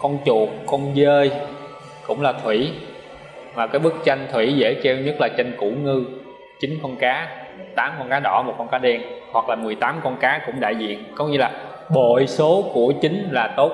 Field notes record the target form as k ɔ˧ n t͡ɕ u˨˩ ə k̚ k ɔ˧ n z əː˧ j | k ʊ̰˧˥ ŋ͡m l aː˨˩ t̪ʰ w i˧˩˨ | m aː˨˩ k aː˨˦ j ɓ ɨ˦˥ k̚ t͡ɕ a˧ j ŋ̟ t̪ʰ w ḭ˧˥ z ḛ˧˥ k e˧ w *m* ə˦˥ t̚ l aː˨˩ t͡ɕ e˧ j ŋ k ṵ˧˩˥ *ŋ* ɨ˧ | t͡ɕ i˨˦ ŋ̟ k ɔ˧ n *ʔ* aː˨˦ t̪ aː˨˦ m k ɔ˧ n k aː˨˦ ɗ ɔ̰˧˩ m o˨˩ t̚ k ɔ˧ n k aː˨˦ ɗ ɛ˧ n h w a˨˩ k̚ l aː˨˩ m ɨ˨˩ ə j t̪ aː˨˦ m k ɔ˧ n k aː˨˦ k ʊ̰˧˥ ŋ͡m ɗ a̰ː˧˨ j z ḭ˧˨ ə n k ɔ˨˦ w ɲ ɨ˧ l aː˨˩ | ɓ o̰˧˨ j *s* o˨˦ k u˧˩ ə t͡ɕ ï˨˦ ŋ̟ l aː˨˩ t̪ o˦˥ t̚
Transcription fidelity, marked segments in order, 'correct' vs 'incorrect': incorrect: ɲ, correct, incorrect: k, correct

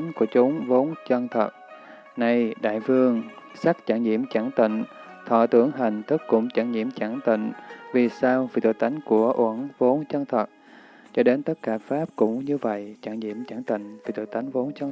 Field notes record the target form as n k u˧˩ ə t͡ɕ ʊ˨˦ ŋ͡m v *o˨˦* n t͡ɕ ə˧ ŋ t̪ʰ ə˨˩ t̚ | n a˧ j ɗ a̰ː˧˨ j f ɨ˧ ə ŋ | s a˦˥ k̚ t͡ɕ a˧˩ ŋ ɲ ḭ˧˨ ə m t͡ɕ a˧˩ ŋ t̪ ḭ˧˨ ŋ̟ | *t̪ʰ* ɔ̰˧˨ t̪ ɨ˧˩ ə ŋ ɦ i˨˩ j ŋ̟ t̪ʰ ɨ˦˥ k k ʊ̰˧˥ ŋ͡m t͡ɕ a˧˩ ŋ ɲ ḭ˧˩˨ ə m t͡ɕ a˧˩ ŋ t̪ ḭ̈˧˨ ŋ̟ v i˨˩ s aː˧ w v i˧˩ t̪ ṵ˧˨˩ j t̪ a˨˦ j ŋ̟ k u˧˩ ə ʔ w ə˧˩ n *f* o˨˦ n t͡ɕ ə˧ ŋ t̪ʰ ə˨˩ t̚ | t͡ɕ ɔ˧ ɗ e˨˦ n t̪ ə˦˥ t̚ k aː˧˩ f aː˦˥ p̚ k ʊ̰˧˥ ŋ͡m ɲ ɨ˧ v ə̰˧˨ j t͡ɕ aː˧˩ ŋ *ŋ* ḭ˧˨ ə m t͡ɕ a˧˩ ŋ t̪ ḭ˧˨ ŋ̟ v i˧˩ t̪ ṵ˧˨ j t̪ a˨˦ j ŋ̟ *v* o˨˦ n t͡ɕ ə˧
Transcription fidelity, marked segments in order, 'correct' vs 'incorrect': correct, correct, incorrect: v, incorrect: ɲ, correct

